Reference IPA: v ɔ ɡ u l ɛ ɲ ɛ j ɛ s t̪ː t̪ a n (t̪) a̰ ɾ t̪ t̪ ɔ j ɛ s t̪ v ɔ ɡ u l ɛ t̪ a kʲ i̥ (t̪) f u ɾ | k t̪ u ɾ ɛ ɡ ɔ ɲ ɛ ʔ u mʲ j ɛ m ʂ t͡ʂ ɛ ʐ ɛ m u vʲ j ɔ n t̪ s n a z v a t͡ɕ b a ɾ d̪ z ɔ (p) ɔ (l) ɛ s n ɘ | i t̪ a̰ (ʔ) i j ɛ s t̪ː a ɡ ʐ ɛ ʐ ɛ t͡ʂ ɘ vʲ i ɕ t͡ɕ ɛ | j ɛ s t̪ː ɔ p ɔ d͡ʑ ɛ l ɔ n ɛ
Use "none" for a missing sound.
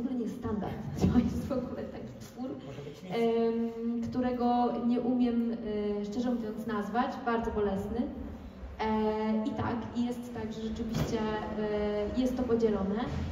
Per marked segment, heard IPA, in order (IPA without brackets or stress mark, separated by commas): d̪, t̪, b, l, k